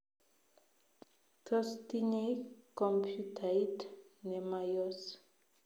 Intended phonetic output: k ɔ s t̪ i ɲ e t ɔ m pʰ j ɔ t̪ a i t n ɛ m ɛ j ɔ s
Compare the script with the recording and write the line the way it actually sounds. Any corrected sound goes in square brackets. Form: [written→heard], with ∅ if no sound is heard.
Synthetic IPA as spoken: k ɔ s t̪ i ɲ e [t→k] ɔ m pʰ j [ɔ→u] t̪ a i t n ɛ m [ɛ→a] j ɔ s